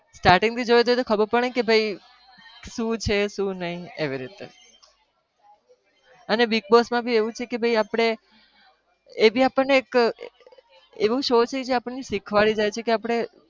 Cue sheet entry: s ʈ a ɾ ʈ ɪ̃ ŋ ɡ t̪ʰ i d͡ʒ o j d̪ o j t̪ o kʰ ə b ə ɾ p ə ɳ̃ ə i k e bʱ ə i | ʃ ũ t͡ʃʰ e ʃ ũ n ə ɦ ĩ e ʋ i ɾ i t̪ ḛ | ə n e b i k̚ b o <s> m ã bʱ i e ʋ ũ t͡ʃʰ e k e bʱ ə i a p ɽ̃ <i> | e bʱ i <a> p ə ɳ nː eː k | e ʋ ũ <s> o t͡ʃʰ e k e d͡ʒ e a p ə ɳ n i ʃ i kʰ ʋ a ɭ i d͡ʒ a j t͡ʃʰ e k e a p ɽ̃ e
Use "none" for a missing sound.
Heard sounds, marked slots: s, e, a, ʃ

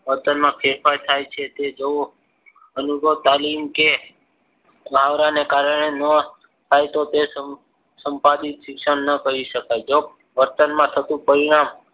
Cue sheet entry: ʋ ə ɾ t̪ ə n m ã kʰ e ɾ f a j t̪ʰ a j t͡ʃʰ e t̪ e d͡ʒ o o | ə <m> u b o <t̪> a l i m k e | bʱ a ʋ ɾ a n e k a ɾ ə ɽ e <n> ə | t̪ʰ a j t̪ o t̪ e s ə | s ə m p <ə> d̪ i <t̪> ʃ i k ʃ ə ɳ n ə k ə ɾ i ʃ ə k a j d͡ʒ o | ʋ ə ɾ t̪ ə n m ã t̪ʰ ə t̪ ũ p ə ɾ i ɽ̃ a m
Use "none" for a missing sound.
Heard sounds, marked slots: n, t̪, n, a, t̪

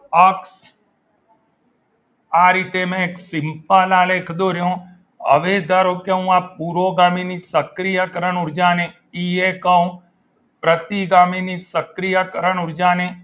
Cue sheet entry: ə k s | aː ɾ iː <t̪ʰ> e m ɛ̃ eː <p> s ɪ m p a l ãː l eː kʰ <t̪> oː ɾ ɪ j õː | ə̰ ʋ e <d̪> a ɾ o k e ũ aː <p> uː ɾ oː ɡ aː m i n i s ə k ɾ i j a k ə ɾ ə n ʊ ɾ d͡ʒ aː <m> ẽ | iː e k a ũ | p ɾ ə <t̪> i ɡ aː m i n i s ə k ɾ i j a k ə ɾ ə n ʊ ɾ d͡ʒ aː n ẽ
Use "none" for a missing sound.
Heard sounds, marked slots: t̪, k, d̪, d̪, p, n, t̪

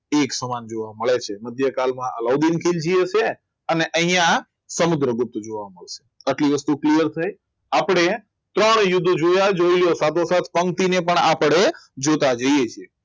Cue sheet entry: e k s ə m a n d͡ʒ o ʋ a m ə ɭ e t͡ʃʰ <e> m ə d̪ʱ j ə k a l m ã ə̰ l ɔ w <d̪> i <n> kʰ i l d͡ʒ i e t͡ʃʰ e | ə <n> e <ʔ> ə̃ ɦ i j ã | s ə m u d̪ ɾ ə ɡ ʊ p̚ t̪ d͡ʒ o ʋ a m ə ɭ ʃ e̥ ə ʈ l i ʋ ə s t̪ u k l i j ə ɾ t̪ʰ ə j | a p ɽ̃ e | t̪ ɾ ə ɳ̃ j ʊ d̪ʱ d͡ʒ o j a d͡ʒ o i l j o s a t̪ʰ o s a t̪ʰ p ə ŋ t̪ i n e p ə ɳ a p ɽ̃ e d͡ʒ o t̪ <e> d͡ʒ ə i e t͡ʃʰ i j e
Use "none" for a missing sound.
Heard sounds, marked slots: e, d̪, n, n, ʔ, a

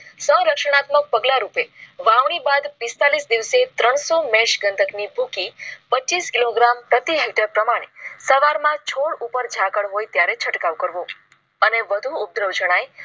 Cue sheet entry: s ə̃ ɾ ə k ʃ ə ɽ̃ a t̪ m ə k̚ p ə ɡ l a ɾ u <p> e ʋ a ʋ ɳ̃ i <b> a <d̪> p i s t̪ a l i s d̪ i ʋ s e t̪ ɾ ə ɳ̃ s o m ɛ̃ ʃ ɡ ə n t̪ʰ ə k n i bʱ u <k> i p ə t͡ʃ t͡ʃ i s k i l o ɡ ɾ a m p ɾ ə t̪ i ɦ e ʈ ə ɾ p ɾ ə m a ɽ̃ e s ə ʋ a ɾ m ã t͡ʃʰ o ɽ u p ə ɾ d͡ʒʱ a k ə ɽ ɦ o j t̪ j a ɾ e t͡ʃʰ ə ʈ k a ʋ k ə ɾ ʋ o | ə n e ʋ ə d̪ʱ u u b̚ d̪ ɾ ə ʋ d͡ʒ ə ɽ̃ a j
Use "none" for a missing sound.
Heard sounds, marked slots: p, b, d̪, k

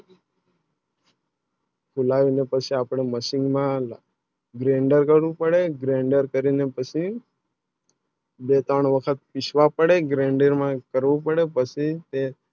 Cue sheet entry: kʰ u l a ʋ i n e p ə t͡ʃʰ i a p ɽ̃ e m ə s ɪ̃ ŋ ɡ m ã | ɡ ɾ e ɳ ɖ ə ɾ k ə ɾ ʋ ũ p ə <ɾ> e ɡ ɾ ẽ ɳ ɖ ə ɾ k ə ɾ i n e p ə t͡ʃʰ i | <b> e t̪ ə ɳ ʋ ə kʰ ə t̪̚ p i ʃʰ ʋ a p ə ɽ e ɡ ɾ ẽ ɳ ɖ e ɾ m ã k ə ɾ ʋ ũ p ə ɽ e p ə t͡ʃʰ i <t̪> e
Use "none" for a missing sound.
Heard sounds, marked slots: ɽ, b, t̪

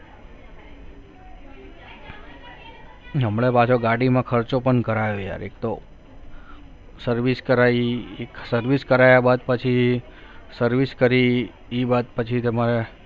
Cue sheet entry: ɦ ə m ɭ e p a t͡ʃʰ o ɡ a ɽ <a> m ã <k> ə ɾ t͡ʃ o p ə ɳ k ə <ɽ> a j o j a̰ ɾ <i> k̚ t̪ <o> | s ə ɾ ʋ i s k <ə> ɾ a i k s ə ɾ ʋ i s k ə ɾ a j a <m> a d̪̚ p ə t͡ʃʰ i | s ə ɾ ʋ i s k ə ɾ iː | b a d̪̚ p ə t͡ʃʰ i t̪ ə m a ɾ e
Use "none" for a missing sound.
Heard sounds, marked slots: i, kʰ, ɾ, e, o, ə, b

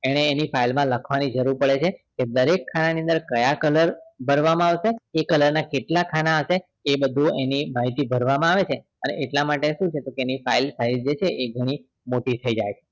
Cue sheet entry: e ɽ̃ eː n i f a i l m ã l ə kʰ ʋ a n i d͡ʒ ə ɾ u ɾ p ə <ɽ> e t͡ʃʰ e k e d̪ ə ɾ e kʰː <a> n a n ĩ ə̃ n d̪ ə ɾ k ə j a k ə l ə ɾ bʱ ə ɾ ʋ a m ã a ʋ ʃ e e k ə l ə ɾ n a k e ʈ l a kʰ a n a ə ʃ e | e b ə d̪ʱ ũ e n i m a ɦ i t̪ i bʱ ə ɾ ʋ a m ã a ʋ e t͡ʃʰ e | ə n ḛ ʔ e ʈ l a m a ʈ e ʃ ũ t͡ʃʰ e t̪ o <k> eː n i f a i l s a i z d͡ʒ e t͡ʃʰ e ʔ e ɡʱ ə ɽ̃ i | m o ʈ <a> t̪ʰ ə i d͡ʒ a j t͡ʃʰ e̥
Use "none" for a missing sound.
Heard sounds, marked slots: ɭ, a, k, i

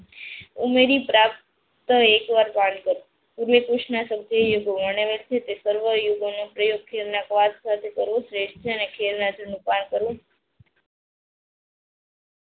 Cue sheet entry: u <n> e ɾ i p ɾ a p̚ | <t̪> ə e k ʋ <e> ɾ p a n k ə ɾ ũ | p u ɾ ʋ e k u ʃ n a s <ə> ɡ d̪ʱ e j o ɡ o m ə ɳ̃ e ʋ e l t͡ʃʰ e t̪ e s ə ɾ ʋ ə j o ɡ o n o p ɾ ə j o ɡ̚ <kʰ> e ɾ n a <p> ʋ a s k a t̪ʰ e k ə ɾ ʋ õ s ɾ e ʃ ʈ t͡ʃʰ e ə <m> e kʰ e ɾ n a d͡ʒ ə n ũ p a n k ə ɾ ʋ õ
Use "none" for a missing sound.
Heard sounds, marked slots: m, t̪, a, ə, kʰ, k, n

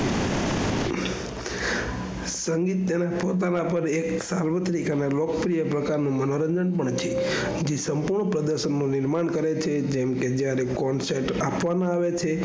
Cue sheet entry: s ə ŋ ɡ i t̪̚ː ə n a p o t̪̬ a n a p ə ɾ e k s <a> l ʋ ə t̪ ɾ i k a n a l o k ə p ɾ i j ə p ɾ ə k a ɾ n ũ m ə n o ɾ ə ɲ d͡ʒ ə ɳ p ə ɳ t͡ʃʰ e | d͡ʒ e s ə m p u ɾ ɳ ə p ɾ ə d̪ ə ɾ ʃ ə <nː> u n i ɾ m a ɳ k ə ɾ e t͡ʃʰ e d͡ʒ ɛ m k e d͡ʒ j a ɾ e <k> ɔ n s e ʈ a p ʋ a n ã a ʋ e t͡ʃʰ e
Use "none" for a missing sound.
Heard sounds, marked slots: a, nː, k

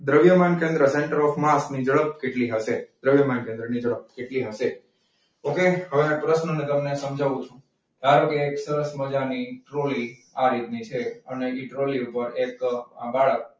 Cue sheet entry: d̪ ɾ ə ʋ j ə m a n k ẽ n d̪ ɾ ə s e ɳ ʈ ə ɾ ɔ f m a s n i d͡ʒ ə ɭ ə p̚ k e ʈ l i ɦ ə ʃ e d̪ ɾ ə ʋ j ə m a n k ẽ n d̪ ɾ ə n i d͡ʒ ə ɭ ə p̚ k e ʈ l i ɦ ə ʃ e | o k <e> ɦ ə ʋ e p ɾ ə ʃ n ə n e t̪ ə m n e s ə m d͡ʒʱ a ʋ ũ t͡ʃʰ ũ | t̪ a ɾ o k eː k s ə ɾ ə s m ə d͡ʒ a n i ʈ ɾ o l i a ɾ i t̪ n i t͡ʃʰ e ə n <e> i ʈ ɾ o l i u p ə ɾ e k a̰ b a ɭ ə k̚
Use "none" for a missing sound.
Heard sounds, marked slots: e, e

